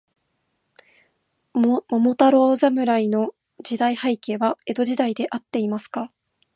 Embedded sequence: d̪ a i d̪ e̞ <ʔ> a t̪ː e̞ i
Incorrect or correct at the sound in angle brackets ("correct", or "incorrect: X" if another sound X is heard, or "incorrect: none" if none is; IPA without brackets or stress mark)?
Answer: correct